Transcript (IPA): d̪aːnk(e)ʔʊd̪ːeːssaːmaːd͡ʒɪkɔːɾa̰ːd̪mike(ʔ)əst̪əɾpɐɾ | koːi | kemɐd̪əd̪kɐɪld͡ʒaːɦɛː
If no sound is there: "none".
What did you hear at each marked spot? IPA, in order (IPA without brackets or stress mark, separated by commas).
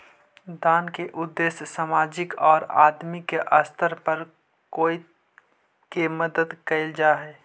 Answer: e, ʔ